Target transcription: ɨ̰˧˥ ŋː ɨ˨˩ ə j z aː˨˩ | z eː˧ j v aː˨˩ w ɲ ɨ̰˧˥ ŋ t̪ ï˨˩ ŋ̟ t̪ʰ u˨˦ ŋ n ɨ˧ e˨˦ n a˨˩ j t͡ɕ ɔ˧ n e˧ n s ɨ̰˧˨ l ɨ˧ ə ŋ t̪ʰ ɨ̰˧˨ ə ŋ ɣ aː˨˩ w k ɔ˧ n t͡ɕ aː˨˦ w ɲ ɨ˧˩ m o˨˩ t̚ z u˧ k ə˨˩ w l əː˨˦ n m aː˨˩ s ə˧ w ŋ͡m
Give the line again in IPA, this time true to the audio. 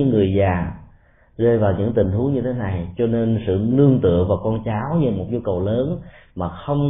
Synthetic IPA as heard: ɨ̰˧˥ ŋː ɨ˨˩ ə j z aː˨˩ | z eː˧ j v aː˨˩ w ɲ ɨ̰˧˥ ŋ t̪ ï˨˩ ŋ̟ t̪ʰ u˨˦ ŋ ɲ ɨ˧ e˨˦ n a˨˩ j t͡ɕ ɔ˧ n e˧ n s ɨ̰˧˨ l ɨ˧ ə ŋ t̪ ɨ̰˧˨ ə ŋ v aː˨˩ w k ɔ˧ n t͡ɕ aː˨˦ w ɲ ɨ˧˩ m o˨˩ t̚ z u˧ k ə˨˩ w l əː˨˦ n m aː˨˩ x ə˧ w ŋ͡m